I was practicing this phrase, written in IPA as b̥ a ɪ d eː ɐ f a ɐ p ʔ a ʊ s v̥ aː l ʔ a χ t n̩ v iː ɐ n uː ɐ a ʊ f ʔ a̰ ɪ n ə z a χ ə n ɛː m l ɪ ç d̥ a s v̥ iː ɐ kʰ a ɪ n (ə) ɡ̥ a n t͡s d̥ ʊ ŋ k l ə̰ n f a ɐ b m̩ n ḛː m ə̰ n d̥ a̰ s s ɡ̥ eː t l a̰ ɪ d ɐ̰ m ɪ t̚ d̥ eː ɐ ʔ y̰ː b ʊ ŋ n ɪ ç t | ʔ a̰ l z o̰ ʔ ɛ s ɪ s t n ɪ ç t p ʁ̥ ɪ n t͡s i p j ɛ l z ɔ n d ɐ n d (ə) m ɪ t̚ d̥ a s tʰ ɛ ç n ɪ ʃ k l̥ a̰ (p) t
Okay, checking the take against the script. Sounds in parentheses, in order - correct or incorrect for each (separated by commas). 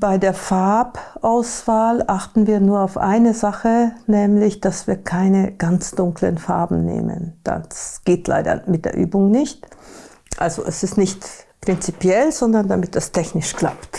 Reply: correct, incorrect, correct